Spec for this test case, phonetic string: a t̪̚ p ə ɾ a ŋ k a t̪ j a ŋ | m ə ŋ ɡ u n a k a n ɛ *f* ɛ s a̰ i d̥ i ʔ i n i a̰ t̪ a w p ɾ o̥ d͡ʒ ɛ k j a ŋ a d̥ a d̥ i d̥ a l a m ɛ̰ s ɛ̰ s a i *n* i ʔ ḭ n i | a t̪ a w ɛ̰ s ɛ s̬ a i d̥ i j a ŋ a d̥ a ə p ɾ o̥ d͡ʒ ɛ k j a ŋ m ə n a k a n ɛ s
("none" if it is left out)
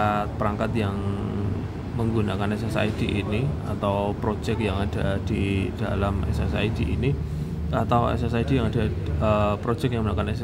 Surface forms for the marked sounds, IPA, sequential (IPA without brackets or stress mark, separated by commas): s, d